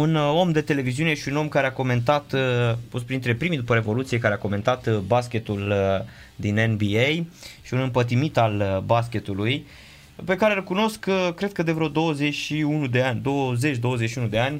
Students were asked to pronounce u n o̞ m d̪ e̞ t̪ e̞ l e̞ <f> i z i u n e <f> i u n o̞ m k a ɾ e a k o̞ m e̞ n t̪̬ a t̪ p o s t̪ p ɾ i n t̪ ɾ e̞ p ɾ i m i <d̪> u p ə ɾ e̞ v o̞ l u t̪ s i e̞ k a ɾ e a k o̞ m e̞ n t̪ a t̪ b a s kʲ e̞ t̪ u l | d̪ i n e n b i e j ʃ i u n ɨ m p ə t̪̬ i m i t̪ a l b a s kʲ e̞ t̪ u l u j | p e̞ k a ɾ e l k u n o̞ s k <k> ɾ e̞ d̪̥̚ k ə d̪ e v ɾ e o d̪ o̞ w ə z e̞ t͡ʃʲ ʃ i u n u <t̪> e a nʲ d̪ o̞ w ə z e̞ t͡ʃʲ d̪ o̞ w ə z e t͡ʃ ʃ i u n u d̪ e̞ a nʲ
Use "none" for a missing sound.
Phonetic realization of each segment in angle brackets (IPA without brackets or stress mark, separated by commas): v, ʃ, d̪, k, d̪